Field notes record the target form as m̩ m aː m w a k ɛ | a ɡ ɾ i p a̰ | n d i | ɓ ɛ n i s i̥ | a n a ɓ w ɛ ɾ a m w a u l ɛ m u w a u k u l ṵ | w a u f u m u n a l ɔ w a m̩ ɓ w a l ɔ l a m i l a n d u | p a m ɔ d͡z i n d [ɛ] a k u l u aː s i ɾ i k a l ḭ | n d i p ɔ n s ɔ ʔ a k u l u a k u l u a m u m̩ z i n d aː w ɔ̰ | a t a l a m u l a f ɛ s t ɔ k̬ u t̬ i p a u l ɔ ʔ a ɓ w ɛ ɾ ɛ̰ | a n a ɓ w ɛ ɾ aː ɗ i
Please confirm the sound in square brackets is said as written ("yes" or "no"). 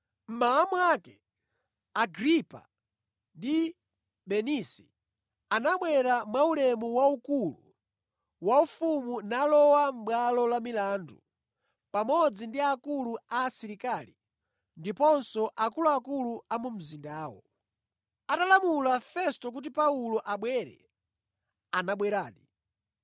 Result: no